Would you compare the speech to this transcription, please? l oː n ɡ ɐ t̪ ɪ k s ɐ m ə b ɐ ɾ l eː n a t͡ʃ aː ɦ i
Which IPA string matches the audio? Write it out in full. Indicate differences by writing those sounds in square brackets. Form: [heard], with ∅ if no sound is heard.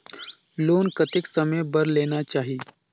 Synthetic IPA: l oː n [k] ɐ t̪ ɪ k s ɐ m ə b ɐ ɾ l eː n a t͡ʃ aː ɦ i

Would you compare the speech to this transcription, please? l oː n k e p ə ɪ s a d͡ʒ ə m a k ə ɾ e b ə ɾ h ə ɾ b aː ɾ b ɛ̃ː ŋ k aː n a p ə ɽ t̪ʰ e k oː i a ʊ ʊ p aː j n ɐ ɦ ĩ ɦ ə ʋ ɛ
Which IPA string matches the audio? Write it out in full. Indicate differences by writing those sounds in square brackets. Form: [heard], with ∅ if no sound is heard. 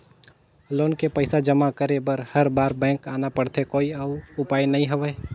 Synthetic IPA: l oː n k e p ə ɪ s a d͡ʒ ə m a k ə ɾ e b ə ɾ h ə ɾ b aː ɾ b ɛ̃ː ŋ k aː n a p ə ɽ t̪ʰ e k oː i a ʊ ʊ p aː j n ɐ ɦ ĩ ɦ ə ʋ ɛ

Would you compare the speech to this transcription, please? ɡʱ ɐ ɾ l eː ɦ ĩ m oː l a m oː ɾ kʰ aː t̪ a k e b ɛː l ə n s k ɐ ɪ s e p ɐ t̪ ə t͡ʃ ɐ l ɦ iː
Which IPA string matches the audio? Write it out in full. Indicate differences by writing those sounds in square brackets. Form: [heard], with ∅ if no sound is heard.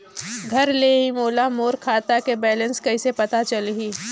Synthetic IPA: ɡʱ ɐ ɾ l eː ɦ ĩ m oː l a m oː ɾ kʰ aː t̪ a k e b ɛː l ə n s k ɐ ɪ s e p ɐ t̪ [a] t͡ʃ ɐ l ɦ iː

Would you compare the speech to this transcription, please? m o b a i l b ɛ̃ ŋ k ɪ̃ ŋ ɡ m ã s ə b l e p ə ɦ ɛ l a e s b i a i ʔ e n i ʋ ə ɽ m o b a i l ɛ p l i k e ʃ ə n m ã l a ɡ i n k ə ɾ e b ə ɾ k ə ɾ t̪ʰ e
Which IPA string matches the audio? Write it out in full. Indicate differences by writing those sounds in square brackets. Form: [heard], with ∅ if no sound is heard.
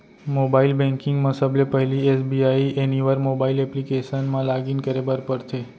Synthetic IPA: m o b a i l b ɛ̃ ŋ k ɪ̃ ŋ ɡ m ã s ə b l e p ə ɦ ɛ l [i] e s b i a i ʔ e n i ʋ ə [ɾ] m o b a i l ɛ p l i k e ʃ ə n m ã l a ɡ i n k ə ɾ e b ə ɾ [p] ə ɾ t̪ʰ e

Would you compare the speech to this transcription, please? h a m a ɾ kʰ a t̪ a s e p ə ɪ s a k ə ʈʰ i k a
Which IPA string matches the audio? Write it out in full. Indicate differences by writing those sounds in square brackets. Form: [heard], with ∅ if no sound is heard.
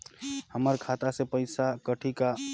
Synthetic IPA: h [ə] m [ə] ɾ kʰ a t̪ a s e p ə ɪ s a k ə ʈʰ i k a

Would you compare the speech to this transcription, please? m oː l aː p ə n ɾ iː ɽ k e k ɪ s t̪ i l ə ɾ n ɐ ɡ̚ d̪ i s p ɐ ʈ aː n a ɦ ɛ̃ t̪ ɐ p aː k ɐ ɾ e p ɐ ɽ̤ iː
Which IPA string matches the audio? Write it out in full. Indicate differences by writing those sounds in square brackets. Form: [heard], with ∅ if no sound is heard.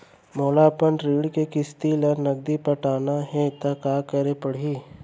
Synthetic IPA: m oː l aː p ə n ɾ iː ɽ k e k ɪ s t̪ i l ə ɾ n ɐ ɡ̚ d̪ i [∅] p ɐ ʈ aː n a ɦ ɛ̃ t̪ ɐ [k] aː k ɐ ɾ e p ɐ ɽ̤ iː

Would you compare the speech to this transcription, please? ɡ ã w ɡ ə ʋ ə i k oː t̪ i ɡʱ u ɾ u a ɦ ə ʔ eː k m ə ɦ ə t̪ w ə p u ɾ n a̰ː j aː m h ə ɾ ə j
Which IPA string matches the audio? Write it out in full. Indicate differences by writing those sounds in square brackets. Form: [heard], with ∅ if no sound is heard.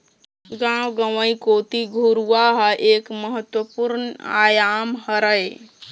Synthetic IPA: ɡ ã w ɡ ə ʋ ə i k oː t̪ i ɡʱ u ɾ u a ɦ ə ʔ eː k m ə ɦ ə t̪ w ə p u ɾ n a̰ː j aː m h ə ɾ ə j

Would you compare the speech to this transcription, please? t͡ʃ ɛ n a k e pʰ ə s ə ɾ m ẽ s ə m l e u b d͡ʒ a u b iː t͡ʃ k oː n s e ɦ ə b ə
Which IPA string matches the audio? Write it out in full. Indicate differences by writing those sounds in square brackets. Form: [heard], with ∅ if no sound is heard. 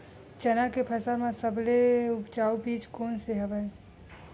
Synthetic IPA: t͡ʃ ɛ n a k e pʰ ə s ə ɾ m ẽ s ə [b] l e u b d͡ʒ a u b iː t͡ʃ k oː n s e ɦ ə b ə

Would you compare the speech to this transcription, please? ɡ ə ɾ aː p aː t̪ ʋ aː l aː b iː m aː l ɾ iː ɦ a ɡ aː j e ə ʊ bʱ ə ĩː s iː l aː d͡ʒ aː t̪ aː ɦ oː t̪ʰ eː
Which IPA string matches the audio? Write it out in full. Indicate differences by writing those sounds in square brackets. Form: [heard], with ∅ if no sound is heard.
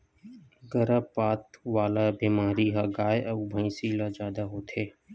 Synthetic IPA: ɡ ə ɾ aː p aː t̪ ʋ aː l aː b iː m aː [∅] ɾ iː ɦ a ɡ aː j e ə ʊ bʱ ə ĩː s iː l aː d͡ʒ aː [d̪] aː ɦ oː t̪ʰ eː

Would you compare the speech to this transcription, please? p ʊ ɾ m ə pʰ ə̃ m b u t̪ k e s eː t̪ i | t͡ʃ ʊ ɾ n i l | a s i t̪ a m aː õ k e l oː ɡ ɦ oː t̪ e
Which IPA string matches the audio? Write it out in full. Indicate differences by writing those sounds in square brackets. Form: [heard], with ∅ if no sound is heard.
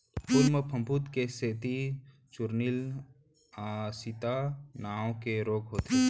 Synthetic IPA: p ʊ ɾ m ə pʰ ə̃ m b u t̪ k e s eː t̪ i | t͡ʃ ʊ ɾ n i l | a s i t̪ a [n] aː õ k e [ɾ] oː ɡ ɦ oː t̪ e

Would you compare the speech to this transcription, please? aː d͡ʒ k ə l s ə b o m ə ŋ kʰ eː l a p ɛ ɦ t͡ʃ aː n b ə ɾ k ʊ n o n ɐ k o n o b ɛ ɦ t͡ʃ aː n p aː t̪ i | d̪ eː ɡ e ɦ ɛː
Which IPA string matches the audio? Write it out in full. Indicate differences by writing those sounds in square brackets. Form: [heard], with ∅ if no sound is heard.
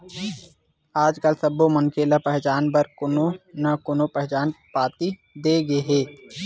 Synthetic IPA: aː d͡ʒ k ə l s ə b o m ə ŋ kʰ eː l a p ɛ ɦ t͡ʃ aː n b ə ɾ k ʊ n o n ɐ k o n o [p] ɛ ɦ t͡ʃ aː n p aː t̪ i | d̪ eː ɡ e ɦ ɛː

